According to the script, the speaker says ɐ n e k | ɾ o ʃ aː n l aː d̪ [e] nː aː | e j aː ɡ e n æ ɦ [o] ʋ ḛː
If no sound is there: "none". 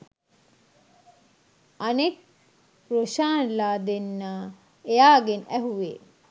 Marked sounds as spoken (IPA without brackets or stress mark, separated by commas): e, u